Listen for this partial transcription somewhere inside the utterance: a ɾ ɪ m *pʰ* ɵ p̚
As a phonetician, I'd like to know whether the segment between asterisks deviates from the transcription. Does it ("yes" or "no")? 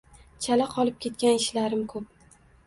yes